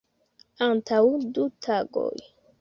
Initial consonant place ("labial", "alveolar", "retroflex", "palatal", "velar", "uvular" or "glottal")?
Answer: alveolar